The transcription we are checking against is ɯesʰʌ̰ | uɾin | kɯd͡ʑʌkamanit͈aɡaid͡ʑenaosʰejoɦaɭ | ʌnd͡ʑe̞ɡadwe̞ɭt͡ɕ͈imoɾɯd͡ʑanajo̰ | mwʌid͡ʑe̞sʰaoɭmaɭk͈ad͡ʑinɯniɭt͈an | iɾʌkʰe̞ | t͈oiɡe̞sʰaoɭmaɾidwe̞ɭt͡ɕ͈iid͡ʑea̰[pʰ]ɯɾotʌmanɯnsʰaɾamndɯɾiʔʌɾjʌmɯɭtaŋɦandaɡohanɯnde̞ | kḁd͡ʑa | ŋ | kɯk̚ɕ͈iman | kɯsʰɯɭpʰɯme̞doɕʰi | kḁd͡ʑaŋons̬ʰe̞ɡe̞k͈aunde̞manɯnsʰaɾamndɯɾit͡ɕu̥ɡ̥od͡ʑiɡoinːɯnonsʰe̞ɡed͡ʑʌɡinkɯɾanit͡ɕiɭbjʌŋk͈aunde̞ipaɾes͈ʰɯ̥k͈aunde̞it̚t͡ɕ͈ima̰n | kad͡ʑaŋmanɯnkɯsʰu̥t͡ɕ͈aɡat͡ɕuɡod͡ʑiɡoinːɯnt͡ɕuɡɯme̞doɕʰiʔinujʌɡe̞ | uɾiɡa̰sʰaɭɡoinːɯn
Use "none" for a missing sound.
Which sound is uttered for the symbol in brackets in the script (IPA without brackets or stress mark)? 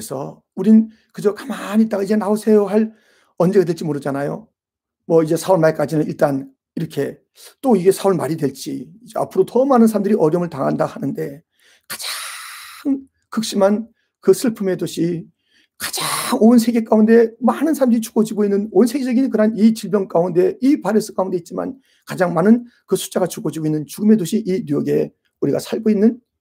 pʰ